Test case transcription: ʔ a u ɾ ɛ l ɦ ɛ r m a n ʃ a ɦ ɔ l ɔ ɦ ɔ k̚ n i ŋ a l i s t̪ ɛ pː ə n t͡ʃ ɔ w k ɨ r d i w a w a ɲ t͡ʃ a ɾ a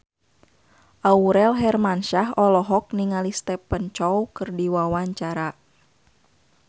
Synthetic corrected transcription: ʔ a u ɾ ɛ l ɦ ɛ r m a n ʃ a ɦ ɔ l ɔ ɦ ɔ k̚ n i ŋ a l i s t̪ ɛ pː ə n t͡ʃ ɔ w k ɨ r d i w a w a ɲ t͡ʃ a ɾ a